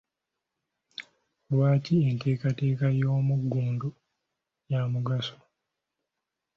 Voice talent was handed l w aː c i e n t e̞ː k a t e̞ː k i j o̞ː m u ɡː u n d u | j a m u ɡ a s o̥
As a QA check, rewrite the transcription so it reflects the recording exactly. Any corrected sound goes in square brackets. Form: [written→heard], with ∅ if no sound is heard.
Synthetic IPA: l w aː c i e n t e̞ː k a t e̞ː k [i→a] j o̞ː m u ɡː [u→uː] n d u | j a m u ɡ a s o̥